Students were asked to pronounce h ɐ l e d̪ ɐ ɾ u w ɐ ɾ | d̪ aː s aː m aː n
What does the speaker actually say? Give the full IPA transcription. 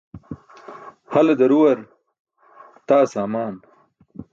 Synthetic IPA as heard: h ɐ l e d̪ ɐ ɾ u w ɐ ɾ | t̪ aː s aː m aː n